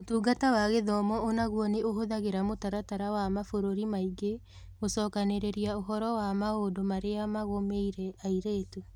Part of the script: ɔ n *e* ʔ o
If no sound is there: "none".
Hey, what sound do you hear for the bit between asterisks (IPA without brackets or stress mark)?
e